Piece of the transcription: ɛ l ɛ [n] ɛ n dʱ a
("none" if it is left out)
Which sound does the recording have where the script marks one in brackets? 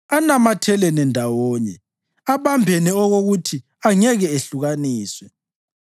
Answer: n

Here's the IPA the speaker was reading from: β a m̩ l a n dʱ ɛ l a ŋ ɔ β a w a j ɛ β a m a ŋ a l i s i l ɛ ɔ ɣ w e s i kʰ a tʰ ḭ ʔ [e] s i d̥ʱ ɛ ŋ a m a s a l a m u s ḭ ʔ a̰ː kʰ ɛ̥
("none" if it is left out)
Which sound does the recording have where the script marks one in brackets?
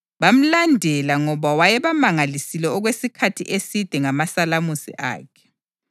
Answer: e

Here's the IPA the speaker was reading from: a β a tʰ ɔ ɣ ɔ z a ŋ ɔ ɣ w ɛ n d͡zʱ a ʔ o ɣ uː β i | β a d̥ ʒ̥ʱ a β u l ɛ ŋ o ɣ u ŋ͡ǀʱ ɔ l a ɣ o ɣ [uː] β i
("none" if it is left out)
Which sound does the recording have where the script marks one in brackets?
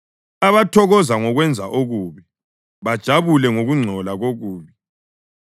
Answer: uː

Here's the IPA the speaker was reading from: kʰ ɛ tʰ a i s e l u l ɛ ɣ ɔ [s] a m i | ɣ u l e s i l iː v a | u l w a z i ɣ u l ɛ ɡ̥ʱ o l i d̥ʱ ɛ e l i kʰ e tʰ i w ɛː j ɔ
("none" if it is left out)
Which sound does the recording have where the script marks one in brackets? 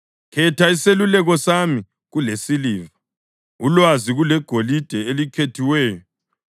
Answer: s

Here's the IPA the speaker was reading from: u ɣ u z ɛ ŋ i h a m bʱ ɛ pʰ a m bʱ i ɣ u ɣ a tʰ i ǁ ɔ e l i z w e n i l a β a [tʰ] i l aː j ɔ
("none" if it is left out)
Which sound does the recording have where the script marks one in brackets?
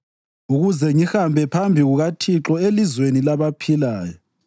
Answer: pʰ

